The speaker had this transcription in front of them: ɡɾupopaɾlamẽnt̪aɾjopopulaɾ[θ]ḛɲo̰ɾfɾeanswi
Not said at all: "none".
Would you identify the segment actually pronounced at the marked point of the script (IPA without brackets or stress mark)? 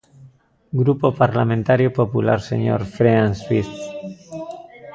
s